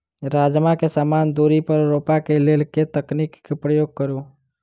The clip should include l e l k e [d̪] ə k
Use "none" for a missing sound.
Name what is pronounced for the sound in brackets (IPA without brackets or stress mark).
t̪